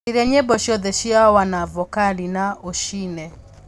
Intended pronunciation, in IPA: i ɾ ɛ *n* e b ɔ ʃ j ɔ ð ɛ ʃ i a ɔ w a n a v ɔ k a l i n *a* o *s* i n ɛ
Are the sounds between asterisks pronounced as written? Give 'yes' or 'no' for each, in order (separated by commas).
no, yes, no